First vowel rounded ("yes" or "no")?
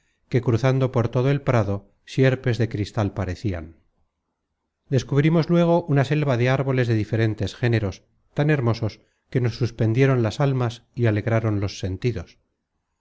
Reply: no